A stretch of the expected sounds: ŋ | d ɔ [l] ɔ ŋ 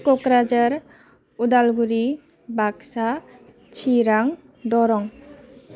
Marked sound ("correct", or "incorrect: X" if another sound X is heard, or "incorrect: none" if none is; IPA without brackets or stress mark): incorrect: ɾ